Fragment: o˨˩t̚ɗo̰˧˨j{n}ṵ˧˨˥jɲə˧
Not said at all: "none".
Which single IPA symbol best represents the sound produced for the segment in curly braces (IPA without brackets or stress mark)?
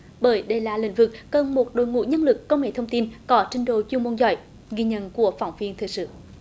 ŋ